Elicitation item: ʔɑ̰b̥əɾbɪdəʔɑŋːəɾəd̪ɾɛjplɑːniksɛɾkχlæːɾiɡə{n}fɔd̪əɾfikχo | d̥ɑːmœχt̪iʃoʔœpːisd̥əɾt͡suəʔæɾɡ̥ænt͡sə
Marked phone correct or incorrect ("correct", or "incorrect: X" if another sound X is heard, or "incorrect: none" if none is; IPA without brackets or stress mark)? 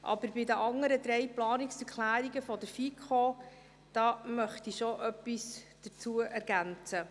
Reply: incorrect: none